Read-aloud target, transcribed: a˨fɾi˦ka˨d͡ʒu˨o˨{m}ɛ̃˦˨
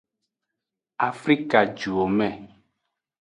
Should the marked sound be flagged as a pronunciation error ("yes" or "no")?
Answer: no